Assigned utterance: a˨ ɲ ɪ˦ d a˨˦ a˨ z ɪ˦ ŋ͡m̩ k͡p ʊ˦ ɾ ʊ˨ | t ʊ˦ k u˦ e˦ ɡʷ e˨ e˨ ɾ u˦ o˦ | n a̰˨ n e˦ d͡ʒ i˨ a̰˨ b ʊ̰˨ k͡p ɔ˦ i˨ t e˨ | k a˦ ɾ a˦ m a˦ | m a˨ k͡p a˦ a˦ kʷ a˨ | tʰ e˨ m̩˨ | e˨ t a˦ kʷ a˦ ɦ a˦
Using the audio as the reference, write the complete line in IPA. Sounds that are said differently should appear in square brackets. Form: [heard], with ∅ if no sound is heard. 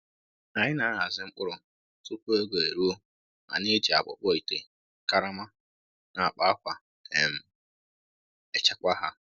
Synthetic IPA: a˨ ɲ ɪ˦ [n] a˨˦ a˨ z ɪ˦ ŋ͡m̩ k͡p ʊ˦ ɾ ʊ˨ | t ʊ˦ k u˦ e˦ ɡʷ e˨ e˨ ɾ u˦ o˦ | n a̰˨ n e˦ d͡ʒ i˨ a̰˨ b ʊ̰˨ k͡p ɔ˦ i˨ t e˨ | k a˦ ɾ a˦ m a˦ | [n] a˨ k͡p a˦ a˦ kʷ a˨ | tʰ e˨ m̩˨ | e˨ [t͡ʃ] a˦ kʷ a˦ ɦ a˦

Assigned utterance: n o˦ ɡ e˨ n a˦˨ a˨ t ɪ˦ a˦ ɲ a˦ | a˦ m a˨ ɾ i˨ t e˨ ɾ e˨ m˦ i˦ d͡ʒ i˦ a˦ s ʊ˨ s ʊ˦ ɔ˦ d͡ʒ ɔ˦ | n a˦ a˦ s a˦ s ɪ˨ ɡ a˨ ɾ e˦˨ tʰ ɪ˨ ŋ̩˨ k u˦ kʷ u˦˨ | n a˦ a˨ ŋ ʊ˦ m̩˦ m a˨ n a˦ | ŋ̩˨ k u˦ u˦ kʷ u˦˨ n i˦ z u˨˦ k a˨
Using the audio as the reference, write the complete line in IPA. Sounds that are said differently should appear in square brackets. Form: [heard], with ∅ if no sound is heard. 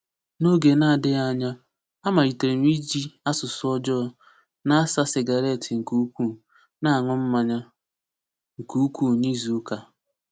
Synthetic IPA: n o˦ ɡ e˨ n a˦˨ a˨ [d] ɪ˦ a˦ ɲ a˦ | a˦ m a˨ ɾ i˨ t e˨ ɾ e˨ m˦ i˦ d͡ʒ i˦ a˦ s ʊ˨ s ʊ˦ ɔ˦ d͡ʒ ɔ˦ | n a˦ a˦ s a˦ s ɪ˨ ɡ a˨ ɾ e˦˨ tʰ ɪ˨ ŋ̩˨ k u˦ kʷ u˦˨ | n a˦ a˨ ŋ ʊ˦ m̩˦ m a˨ [ɲ] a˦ | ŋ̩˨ k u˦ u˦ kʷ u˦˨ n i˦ z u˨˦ k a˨

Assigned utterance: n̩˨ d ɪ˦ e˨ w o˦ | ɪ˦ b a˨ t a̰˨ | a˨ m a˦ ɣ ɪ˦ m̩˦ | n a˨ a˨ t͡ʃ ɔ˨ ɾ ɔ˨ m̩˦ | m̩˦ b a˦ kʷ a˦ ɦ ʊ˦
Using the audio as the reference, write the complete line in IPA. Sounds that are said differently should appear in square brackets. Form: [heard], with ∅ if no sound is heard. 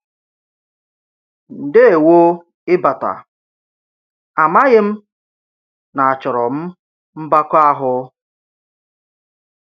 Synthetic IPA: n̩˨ d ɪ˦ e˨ w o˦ | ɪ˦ b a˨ t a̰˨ | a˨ m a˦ ɣ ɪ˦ m̩˦ | n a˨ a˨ t͡ʃ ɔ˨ ɾ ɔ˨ m̩˦ | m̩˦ b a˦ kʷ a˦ ɦ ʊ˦

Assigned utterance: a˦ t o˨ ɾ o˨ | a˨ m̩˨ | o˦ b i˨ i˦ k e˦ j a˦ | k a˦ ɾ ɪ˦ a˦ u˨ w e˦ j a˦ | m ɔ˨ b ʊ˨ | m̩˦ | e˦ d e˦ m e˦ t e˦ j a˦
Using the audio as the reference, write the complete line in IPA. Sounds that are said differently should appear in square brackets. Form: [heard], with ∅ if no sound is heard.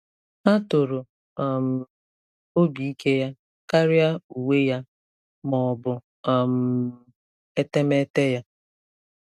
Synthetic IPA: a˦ t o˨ ɾ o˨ | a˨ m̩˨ | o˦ b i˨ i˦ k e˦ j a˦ | k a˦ ɾ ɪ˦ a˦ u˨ w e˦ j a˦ | m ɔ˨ b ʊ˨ | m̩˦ | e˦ [t] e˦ m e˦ t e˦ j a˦

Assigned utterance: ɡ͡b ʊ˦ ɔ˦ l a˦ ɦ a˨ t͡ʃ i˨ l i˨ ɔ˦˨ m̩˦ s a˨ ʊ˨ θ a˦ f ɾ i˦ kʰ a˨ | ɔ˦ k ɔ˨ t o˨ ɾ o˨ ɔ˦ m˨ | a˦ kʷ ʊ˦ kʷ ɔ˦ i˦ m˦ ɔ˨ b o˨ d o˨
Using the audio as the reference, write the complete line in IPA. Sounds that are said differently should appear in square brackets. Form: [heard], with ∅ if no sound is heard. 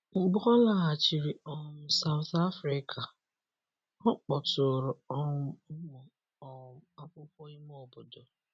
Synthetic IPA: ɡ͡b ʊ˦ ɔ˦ l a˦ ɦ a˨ t͡ʃ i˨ [ɾ] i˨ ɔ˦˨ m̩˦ s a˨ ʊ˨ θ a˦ f ɾ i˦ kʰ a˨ | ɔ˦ [k͡p] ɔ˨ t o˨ ɾ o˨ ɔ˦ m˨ | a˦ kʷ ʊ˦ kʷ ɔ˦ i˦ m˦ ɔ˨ b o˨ d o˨

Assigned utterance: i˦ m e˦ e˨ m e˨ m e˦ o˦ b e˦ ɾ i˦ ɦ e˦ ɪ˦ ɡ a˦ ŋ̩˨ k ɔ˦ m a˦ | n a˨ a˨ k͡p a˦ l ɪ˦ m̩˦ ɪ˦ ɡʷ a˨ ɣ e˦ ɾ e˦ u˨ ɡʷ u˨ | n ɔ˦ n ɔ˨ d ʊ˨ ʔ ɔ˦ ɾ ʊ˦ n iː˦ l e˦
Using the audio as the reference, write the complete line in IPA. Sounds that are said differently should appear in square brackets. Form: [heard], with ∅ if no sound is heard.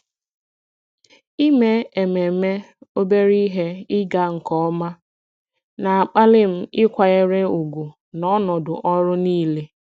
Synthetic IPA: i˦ m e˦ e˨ m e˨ m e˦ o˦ b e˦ ɾ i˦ ɦ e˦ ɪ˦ ɡ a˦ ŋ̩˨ k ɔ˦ m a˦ | n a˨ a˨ k͡p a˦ l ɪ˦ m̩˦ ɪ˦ [kʷ] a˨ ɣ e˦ ɾ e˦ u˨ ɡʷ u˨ | n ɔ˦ n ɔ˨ d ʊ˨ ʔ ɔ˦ ɾ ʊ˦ n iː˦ l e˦

